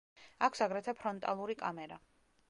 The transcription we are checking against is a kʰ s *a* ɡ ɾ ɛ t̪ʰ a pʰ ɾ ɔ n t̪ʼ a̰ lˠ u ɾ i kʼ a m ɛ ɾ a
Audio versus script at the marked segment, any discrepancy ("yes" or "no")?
no